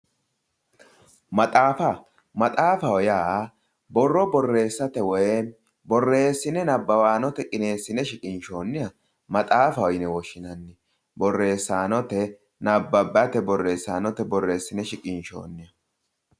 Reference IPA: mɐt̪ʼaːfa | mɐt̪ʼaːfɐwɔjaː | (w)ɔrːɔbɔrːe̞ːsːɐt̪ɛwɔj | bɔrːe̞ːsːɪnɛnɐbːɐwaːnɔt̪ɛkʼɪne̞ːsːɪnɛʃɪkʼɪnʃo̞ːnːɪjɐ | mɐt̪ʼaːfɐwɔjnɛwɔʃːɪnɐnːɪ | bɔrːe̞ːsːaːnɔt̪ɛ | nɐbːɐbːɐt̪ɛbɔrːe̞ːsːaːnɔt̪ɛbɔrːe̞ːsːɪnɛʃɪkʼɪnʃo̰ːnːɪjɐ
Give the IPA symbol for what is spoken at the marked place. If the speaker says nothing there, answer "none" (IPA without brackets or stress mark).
b